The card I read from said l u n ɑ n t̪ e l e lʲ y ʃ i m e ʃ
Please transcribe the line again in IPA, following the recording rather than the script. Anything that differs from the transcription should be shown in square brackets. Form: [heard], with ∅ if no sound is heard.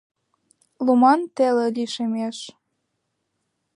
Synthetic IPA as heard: l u [m] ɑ n t̪ e l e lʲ [i] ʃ [e] m e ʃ

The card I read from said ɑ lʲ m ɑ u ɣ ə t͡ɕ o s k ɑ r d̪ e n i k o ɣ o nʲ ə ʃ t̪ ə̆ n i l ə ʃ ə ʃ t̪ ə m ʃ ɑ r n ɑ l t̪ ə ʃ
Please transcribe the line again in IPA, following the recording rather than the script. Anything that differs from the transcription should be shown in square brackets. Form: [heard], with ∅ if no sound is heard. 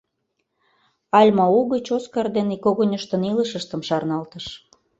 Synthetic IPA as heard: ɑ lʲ m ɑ u ɣ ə t͡ɕ o s k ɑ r d̪ e n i k o ɣ o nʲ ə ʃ t̪ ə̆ n i l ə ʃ ə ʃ t̪ ə m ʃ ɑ r n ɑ l t̪ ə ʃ

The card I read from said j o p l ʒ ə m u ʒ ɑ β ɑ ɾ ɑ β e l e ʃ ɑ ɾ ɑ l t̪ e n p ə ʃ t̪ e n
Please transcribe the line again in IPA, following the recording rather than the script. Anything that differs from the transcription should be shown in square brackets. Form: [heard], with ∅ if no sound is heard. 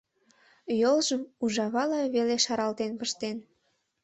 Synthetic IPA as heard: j o [∅] l ʒ ə m u ʒ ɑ β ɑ [l] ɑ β e l e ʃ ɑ ɾ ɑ l t̪ e n p ə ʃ t̪ e n

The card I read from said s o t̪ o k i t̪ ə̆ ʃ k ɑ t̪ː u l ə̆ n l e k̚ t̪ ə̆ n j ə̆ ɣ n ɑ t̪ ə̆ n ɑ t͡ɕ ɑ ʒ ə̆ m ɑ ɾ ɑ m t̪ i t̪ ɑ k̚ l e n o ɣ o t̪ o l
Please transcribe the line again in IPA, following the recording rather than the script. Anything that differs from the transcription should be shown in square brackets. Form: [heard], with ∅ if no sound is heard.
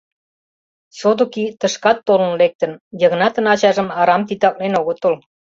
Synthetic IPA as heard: s o [d̪] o k i t̪ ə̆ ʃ k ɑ t̪ː [o] l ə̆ n l e k̚ t̪ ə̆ n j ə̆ ɣ n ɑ t̪ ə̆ n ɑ t͡ɕ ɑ ʒ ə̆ m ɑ ɾ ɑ m t̪ i t̪ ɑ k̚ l e n o ɣ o t̪ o l

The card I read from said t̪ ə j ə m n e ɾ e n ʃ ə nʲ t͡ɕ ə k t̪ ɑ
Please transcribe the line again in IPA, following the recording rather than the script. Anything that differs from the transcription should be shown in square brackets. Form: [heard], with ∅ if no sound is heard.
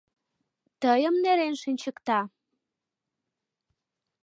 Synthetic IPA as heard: t̪ ə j ə m n e ɾ e n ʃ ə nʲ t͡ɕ ə k t̪ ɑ

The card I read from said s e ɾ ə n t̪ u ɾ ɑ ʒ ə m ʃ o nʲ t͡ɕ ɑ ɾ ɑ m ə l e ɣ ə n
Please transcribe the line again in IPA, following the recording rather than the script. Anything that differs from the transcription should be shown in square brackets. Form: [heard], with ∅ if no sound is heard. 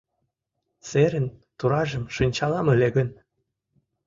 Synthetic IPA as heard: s e ɾ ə n t̪ u ɾ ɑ ʒ ə m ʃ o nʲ t͡ɕ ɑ [l] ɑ m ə l e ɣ ə n

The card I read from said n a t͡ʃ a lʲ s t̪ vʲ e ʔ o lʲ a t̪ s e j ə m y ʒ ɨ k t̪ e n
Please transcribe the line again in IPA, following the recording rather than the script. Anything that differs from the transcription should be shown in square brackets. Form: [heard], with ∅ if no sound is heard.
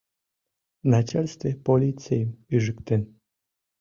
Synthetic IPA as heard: n a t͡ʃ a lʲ s t̪ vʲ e [p] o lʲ [i] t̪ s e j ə m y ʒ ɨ k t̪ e n

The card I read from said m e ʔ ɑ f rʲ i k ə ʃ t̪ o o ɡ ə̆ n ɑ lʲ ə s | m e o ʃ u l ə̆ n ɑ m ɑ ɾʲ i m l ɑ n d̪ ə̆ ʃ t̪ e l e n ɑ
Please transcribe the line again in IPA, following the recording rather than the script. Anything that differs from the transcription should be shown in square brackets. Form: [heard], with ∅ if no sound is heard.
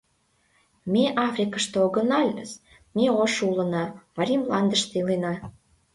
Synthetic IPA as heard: m e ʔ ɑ f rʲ i k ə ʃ t̪ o o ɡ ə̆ n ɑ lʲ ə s | m e o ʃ u l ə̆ n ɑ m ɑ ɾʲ i m l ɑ n d̪ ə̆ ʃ t̪ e l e n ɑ

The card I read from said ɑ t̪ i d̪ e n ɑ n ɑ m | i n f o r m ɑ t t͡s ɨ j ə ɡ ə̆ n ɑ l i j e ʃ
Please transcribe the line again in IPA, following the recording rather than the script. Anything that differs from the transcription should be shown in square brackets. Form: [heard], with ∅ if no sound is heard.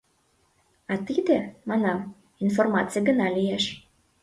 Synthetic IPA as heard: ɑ t̪ i d̪ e [m] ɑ n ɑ m | i n f o r m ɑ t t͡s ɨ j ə ɡ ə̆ n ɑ l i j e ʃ

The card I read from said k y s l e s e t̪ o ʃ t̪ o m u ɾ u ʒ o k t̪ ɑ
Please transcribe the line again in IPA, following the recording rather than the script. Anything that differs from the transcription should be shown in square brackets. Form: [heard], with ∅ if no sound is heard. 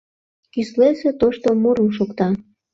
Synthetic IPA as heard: k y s l e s e t̪ o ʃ t̪ o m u ɾ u [ʃ] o k t̪ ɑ

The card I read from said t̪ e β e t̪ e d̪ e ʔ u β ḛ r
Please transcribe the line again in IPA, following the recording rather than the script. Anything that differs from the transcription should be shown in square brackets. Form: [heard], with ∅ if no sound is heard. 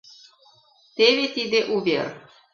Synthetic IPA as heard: t̪ e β e t̪ [i] d̪ e ʔ u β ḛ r

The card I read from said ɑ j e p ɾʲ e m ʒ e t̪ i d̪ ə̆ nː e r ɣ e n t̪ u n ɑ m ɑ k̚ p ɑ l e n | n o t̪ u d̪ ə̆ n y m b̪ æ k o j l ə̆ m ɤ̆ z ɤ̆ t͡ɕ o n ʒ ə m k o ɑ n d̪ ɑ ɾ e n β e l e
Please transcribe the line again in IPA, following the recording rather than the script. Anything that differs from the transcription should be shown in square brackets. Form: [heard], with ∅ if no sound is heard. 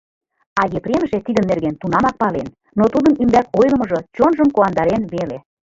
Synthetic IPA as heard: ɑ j e p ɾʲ e m ʒ e t̪ i d̪ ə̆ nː e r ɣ e n t̪ u n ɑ m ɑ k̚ p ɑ l e n | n o t̪ u d̪ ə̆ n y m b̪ æ k o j l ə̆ m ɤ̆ [ʒ] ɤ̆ t͡ɕ o n ʒ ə m k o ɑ n d̪ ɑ ɾ e n β e l e

